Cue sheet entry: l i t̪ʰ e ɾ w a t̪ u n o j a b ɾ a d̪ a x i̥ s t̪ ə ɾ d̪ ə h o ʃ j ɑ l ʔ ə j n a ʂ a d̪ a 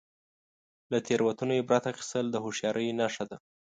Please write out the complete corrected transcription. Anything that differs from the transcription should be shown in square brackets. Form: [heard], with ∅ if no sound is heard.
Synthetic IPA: l [a] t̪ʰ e ɾ w a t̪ u n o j [e] b ɾ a [t̪] a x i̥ s t̪ ə [l] d̪ ə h o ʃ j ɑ [ɾ] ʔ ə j n a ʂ a d̪ a